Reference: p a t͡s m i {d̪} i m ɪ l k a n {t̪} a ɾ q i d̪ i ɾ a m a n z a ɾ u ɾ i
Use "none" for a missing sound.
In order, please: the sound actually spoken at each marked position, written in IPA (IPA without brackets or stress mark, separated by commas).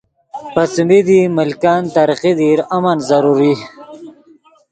d̪, t̪